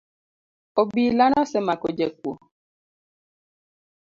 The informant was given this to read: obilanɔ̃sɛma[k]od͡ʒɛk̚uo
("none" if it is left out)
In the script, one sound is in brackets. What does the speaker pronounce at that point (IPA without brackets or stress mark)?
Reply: k